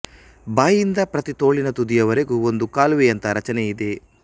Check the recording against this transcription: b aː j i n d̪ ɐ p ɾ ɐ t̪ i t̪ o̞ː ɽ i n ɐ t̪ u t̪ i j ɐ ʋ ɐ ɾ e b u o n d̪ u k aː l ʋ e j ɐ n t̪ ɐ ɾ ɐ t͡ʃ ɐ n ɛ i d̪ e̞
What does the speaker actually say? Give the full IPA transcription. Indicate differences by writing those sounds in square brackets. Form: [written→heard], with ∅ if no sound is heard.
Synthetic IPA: b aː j i n d̪ ɐ p ɾ ɐ t̪ i t̪ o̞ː [ɽ→ɭ] i n ɐ t̪ u [t̪→d̪] i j ɐ ʋ ɐ ɾ e [b→ɡ] u o n d̪ u k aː l ʋ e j ɐ n t̪ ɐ ɾ ɐ t͡ʃ ɐ n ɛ i d̪ e̞

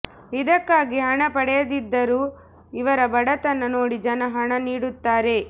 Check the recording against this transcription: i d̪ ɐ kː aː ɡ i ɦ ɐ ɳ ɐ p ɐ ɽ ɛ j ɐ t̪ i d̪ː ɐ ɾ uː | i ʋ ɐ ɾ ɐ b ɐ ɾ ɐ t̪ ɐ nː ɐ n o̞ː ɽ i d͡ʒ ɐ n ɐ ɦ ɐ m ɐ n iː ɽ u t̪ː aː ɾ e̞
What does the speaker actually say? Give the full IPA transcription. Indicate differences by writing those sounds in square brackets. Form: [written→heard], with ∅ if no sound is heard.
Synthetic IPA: i d̪ ɐ kː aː ɡ i ɦ ɐ ɳ ɐ p ɐ ɽ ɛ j ɐ [t̪→d̪] i d̪ː ɐ ɾ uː | i ʋ ɐ ɾ ɐ b ɐ [ɾ→ɽ] ɐ t̪ ɐ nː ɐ n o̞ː ɽ i d͡ʒ ɐ n ɐ ɦ ɐ [m→ɳ] ɐ n iː ɽ u t̪ː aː ɾ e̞

